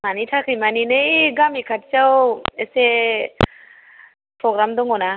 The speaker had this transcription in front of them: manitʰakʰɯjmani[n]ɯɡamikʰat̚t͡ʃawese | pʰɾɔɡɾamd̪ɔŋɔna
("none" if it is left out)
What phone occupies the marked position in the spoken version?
n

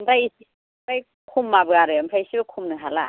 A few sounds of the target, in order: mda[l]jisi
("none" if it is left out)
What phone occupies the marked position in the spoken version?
none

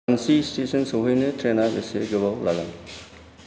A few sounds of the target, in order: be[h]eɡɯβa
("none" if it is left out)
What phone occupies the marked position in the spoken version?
s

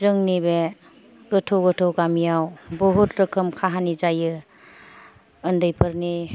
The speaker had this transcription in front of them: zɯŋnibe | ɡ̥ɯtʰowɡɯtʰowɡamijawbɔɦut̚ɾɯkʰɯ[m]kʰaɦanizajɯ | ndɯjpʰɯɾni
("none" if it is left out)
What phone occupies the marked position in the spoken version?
m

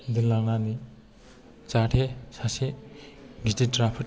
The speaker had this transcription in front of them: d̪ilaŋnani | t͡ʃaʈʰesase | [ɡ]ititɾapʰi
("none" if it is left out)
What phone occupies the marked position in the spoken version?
ɡ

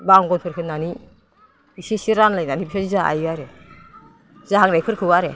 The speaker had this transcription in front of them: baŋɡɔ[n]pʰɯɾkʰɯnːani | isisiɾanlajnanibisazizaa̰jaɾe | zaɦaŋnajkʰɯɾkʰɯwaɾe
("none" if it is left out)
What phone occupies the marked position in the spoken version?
n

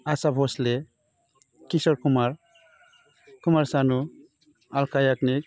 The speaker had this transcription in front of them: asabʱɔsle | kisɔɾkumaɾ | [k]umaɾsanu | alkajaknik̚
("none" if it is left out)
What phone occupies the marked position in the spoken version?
k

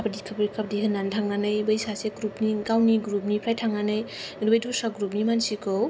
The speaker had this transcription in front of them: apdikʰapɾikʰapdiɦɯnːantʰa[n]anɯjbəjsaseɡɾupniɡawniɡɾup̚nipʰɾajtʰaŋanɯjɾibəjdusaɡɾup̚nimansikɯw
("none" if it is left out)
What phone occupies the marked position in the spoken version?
ŋ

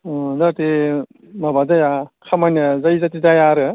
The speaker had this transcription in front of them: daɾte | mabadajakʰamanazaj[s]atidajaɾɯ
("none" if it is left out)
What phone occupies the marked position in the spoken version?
z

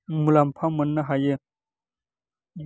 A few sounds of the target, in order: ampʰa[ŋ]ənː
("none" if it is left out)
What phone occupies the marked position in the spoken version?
m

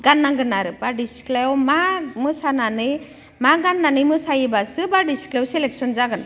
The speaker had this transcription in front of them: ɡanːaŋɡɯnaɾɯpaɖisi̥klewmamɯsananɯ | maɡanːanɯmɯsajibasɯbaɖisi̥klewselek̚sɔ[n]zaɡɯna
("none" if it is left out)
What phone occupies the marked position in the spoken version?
n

